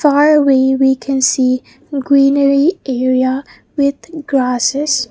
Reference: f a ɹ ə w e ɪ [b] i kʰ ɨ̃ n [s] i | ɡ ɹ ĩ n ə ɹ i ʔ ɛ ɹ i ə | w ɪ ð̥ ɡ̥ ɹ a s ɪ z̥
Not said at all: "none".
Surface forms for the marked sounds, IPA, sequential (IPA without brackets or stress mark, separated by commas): w, s